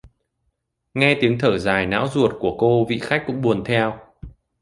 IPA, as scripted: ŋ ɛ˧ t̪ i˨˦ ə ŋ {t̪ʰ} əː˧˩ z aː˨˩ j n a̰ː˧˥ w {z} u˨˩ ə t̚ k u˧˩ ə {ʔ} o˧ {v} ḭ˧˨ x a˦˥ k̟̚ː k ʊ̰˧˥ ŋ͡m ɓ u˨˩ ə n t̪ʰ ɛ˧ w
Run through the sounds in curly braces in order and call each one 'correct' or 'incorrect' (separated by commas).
correct, correct, incorrect, correct